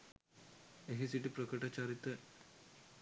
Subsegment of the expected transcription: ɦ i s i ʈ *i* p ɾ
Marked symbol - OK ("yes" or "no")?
yes